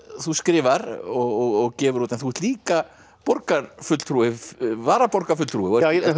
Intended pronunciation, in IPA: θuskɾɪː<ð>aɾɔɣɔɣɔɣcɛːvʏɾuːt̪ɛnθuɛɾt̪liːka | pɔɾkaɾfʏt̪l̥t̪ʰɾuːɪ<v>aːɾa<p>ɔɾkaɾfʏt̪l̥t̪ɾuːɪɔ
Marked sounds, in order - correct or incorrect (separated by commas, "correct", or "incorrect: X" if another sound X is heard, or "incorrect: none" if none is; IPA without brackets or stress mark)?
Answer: incorrect: v, correct, correct